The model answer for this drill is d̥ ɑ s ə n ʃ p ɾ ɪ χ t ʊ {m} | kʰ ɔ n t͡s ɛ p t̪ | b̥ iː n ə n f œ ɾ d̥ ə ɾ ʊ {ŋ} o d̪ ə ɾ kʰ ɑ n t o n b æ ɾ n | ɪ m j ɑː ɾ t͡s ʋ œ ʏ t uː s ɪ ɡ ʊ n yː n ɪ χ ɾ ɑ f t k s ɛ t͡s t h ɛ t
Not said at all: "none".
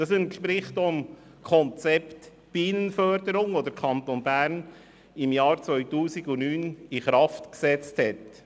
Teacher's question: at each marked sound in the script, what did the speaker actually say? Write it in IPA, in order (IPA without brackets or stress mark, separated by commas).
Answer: m, ŋ